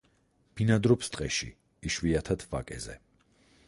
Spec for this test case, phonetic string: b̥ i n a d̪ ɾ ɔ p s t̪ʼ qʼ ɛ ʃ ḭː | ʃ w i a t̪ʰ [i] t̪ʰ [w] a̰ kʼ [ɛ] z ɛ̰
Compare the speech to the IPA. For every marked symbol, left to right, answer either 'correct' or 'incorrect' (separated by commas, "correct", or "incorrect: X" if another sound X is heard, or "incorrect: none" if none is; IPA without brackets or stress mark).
incorrect: a, incorrect: v, correct